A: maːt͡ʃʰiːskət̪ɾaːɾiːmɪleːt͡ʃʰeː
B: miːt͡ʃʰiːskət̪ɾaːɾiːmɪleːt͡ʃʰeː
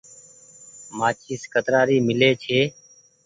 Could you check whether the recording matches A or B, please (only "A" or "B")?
A